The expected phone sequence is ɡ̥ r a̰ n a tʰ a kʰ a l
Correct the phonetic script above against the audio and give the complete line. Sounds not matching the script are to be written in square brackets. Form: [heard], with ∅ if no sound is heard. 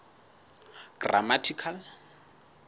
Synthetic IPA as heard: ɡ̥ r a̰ [m] a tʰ [i] kʰ a l